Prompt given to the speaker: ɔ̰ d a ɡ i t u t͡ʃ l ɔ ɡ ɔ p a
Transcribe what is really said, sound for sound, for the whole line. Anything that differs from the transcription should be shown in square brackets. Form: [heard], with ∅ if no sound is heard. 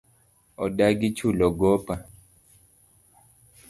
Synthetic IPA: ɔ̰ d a ɡ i [t͡ʃ] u [∅] l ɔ ɡ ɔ p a